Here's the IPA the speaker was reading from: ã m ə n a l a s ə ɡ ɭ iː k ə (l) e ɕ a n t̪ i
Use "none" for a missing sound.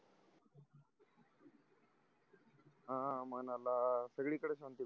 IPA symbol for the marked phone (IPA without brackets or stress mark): ɽ